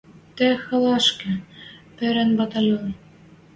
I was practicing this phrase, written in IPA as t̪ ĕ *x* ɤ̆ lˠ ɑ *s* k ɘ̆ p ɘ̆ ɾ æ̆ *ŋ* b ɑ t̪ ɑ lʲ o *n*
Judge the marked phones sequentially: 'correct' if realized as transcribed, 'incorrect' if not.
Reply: correct, incorrect: ʃ, incorrect: n, correct

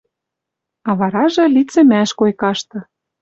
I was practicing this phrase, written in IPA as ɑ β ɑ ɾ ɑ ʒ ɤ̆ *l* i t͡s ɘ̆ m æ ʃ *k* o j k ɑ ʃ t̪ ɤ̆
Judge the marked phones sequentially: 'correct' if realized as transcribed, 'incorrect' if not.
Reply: correct, correct

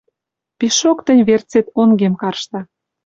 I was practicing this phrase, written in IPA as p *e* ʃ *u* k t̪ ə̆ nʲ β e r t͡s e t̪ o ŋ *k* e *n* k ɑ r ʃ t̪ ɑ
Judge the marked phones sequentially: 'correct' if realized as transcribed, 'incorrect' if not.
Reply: incorrect: i, incorrect: o, incorrect: ɡ, incorrect: m

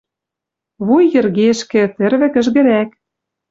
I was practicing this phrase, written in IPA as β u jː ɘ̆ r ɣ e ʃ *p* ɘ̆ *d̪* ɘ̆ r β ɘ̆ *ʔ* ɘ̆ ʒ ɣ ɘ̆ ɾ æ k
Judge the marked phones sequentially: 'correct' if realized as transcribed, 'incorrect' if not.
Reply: incorrect: k, incorrect: t̪, incorrect: k

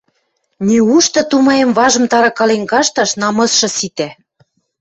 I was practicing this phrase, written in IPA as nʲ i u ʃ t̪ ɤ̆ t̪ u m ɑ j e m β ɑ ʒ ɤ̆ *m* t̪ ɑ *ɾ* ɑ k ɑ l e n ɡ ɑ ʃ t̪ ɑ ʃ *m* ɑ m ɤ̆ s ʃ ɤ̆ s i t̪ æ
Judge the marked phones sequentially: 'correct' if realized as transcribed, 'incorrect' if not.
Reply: correct, correct, incorrect: n

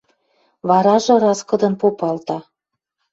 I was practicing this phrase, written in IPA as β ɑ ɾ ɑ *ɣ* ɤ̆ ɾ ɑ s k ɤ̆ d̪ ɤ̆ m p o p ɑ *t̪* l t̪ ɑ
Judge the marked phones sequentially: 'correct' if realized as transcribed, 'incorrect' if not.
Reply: incorrect: ʒ, incorrect: none

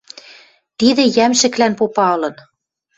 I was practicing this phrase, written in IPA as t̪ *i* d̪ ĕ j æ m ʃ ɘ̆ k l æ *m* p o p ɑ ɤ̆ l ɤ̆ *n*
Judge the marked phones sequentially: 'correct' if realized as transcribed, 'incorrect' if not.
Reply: correct, incorrect: n, correct

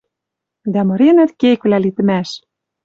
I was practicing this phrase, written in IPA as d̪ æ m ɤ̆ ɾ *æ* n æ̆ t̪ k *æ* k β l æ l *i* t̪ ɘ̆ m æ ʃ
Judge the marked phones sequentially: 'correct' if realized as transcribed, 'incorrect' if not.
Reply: incorrect: e, incorrect: e, correct

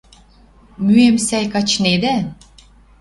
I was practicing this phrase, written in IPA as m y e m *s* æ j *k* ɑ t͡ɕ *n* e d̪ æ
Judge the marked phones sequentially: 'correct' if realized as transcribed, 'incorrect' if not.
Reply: correct, correct, correct

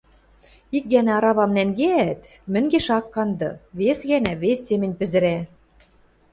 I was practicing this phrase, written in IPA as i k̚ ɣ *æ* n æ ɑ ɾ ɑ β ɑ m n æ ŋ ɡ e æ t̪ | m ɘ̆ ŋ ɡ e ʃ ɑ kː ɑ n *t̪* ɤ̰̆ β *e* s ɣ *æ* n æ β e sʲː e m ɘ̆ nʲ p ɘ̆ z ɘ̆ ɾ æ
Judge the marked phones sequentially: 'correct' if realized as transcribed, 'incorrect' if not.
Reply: correct, incorrect: d̪, correct, correct

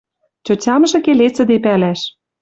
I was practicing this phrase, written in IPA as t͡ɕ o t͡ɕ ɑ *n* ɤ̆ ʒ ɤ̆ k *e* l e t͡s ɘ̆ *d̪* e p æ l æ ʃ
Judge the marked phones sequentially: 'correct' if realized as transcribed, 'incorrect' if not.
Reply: incorrect: m, correct, correct

